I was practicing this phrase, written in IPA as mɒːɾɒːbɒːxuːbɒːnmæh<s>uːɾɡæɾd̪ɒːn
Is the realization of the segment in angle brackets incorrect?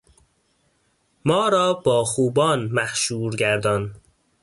yes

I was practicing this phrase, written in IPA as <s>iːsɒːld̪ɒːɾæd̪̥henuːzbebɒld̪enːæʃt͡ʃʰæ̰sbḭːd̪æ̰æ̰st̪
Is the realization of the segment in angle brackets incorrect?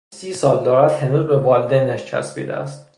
no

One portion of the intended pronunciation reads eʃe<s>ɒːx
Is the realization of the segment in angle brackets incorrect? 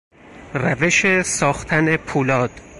no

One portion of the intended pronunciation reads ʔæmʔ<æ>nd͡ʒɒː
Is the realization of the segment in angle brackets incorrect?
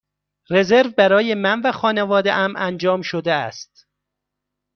no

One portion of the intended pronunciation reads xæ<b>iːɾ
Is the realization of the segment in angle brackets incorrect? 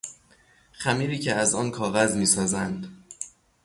yes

